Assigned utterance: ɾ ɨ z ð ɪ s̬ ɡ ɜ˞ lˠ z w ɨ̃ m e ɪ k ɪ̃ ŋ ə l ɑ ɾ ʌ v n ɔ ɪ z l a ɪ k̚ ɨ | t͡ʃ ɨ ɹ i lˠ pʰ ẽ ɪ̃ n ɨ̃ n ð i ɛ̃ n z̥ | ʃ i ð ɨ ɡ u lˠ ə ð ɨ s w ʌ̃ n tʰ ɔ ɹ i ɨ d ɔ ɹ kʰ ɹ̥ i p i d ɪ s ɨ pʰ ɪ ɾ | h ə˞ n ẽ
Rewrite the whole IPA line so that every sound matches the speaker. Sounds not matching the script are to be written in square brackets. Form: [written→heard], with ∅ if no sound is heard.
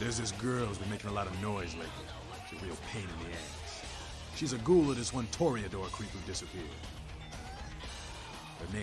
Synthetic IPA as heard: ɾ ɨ z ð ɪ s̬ ɡ ɜ˞ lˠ z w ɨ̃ m e ɪ k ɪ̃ ŋ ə l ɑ ɾ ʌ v n ɔ ɪ z l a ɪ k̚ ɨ | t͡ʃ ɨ ɹ i lˠ pʰ ẽ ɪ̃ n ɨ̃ n ð i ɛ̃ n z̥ | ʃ i [ð→z] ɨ ɡ u lˠ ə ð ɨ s w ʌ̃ n tʰ ɔ ɹ i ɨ d ɔ ɹ kʰ ɹ̥ i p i d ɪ s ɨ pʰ ɪ [ɾ→ɹ] | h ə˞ n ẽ

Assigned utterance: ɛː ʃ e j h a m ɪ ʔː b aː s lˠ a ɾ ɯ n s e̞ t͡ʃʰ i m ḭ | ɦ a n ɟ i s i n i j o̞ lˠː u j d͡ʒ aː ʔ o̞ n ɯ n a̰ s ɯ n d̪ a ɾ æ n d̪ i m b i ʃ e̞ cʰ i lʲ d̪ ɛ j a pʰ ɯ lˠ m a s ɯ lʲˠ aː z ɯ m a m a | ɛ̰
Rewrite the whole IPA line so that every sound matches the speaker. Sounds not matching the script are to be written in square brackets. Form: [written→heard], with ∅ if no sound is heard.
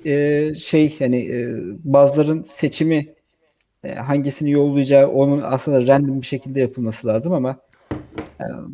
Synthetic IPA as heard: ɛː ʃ e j h a [m→n] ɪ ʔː b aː [s→z] lˠ a ɾ ɯ n s e̞ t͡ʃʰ i m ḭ | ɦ a [n→ɲ] ɟ i s i n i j o̞ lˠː u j d͡ʒ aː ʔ o̞ n [ɯ→u] n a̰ s ɯ n d̪ a ɾ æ n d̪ i m b i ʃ e̞ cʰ i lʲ d̪ ɛ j a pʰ ɯ lˠ m a s ɯ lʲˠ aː z ɯ m a m a | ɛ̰

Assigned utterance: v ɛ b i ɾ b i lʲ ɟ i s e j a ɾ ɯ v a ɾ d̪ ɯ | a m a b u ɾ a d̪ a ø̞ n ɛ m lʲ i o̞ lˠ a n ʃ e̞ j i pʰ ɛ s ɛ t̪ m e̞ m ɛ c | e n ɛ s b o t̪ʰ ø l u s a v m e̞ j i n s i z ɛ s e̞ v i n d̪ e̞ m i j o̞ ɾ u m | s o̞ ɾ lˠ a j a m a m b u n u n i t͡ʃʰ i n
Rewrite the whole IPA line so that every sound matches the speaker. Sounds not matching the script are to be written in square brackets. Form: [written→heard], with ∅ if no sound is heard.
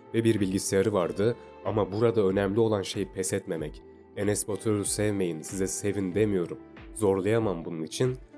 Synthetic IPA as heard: v ɛ b i ɾ b i lʲ ɟ i s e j a ɾ ɯ v a ɾ d̪ ɯ | a m a b u ɾ a d̪ a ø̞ n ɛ m lʲ i o̞ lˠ a n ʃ e̞ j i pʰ ɛ s ɛ t̪ m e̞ m ɛ c | e n ɛ s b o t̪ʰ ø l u s [a→ɛ] v m e̞ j i n s i z ɛ s e̞ v i n d̪ e̞ m i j o̞ ɾ u m | [s→z] o̞ ɾ lˠ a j a m a m b u n u n i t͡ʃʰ i n

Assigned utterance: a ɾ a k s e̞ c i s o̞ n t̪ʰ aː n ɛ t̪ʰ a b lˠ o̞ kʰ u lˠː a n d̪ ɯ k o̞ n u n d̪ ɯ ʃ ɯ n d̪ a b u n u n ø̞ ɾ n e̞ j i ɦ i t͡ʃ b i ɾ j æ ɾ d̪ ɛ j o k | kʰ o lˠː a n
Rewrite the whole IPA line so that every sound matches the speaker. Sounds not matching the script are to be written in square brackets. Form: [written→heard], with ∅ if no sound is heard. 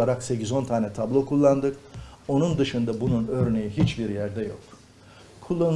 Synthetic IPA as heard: a ɾ a k s e̞ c i [s→z] o̞ n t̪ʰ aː n ɛ t̪ʰ a b lˠ o̞ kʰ u lˠː a n d̪ ɯ k o̞ n u n d̪ ɯ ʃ ɯ n d̪ a b u n u n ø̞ ɾ n e̞ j i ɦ i t͡ʃ b i ɾ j æ ɾ d̪ ɛ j o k | kʰ [o→u] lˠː a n

